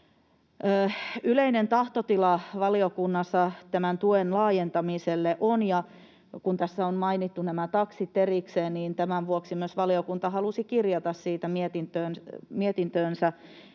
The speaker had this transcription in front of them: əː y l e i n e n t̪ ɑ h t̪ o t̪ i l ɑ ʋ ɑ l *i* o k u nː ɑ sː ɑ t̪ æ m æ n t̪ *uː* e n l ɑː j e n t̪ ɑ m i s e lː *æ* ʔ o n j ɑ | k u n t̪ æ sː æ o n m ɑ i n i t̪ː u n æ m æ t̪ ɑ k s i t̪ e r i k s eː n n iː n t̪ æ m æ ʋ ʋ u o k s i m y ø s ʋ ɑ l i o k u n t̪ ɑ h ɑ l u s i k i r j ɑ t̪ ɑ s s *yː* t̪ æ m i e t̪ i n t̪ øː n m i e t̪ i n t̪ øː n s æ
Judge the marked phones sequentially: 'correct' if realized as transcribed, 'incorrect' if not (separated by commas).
correct, incorrect, incorrect, incorrect